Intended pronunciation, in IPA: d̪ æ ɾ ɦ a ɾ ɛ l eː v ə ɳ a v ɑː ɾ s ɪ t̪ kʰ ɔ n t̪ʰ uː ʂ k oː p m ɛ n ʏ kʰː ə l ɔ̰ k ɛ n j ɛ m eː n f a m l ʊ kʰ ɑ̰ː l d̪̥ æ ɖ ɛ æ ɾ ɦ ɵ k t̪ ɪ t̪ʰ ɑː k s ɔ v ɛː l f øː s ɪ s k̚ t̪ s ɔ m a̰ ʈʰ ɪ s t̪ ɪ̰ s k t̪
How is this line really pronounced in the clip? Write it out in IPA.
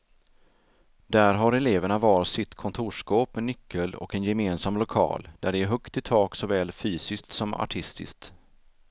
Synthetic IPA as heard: d̪ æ ɾ ɦ a ɾ ɛ l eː v ə ɳ a v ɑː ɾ s ɪ t̪ kʰ ɔ n t̪ʰ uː ʂ k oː p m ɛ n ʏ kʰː ə l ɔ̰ k ɛ n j ɛ m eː n s a m l ʊ kʰ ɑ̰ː l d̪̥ æ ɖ ɛ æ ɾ ɦ ɵ k t̪ ɪ t̪ʰ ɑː k s ɔ v ɛː l f yː s ɪ s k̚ t̪ s ɔ m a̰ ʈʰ ɪ s t̪ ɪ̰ s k t̪